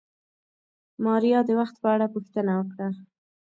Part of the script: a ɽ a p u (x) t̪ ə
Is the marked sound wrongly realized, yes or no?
no